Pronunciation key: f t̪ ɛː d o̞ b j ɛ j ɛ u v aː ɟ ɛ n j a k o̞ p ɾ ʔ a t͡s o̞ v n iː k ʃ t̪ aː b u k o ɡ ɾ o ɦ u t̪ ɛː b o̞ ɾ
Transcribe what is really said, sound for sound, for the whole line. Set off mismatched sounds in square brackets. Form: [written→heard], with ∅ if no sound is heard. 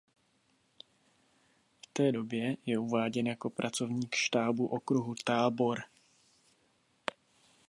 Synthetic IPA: f t̪ ɛː d o̞ b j ɛ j ɛ u v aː ɟ ɛ n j a k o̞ p ɾ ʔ a t͡s o̞ v [n→ɲ] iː k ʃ t̪ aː b u [k→ʔ] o [ɡ→k] ɾ [o→u] ɦ u t̪ [ɛː→aː] b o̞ ɾ